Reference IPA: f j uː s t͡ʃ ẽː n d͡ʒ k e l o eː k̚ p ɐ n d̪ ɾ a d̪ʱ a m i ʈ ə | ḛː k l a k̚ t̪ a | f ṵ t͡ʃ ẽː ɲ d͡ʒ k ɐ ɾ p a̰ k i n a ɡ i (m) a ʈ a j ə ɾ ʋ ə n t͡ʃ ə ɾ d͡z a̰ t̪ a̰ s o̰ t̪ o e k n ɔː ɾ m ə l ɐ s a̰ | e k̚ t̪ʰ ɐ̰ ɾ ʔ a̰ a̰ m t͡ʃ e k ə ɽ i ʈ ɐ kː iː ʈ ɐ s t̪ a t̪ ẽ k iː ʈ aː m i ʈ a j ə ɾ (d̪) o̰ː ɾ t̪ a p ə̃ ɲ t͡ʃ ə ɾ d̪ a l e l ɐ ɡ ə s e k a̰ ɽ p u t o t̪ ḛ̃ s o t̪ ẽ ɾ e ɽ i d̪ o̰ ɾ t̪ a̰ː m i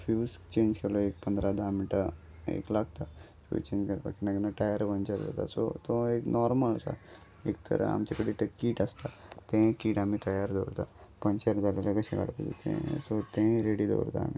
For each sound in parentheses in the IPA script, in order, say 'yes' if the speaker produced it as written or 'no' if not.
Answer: no, yes

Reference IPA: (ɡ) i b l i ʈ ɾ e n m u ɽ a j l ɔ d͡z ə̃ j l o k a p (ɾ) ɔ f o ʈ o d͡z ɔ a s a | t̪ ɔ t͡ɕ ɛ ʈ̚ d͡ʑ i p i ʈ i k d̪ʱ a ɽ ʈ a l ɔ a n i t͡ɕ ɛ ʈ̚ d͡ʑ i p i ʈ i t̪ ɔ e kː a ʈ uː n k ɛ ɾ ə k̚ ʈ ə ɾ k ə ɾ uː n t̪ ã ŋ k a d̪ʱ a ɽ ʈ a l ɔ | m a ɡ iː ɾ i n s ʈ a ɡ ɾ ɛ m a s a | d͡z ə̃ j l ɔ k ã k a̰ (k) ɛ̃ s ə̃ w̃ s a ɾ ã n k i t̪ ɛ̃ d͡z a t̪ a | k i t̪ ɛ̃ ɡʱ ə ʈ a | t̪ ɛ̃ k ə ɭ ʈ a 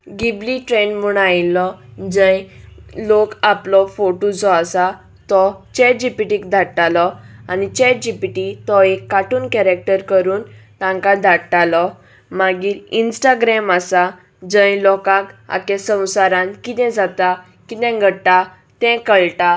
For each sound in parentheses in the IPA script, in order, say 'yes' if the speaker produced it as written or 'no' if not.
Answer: yes, no, yes

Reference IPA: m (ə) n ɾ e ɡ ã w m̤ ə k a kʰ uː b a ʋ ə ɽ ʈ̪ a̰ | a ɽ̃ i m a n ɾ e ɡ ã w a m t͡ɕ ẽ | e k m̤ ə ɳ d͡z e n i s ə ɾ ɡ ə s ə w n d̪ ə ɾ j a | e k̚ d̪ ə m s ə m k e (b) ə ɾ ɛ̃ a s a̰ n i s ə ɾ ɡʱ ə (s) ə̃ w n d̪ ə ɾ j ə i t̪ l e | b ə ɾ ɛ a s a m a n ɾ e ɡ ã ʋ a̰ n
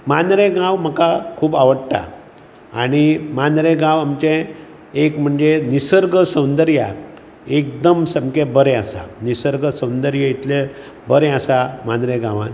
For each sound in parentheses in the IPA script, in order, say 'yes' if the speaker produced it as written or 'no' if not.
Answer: no, yes, yes

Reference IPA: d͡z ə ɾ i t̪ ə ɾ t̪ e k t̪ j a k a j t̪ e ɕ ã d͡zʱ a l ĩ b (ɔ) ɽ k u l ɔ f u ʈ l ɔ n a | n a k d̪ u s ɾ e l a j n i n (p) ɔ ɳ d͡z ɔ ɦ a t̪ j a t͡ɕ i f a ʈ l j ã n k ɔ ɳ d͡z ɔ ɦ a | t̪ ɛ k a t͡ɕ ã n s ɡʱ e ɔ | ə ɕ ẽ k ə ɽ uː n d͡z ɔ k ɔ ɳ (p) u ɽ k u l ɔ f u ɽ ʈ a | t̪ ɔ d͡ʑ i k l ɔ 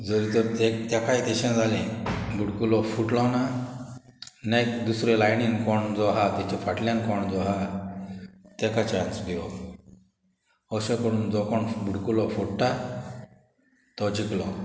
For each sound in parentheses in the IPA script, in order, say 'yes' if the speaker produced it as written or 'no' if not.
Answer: no, no, no

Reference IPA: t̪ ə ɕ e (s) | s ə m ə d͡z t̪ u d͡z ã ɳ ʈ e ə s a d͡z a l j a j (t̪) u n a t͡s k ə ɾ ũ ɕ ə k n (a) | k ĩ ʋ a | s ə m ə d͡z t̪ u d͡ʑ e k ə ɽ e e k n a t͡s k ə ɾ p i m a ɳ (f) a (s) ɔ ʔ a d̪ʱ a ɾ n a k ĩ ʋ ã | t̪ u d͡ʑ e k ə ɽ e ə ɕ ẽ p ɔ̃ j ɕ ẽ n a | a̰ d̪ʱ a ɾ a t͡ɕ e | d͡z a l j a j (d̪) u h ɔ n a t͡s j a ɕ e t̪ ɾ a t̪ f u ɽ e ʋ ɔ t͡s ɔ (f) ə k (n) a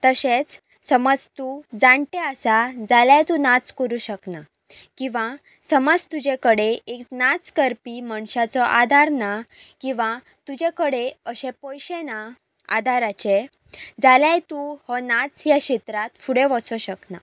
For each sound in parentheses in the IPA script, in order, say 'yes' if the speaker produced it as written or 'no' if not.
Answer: no, yes, yes, no, no, no, no, yes

